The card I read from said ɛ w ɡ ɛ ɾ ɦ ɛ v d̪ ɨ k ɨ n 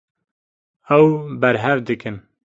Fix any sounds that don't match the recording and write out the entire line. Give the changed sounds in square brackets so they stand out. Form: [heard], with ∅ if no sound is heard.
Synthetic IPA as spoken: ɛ w [b] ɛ ɾ ɦ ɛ v d̪ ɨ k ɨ n